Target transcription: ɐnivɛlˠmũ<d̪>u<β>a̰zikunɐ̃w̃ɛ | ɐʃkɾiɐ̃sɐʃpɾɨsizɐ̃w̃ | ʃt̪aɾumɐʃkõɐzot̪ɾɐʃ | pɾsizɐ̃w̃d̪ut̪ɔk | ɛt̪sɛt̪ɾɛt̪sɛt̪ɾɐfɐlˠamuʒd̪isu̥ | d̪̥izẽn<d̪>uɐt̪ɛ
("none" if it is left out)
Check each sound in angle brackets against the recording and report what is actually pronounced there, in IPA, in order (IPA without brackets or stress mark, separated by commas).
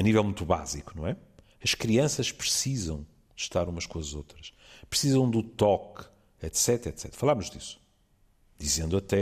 t̪, β, d̪